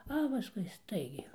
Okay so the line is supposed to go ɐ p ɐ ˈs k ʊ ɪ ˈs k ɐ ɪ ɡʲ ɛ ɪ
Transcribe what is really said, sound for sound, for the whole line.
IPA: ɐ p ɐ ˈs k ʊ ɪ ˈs t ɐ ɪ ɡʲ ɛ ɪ